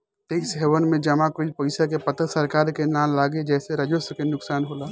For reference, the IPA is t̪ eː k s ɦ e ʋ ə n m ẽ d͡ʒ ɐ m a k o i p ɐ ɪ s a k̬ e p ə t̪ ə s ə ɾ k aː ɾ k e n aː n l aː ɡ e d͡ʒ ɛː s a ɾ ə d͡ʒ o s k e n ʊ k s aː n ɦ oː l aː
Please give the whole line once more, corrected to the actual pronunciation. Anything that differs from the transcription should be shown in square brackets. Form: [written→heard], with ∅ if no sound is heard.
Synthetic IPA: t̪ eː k s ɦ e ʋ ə n m ẽ d͡ʒ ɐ m a k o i p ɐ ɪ s a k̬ e p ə t̪ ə s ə ɾ k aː ɾ k e n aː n l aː ɡ e d͡ʒ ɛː s [a→e] ɾ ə d͡ʒ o s k e n ʊ k s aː n ɦ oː l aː